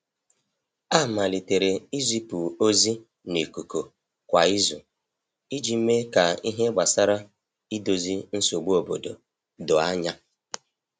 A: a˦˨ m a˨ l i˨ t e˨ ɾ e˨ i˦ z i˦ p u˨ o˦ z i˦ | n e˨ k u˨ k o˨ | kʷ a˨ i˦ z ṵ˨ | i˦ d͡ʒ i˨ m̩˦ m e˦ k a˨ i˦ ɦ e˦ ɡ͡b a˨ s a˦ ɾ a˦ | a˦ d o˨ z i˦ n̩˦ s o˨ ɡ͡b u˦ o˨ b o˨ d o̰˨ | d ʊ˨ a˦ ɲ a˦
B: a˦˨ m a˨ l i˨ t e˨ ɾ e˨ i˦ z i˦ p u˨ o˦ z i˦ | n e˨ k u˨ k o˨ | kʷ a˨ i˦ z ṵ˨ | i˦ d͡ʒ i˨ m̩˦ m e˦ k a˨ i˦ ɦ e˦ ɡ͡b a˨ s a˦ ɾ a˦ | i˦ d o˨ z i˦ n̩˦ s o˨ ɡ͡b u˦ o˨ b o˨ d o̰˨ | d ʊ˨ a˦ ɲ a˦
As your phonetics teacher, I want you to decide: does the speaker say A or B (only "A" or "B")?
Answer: B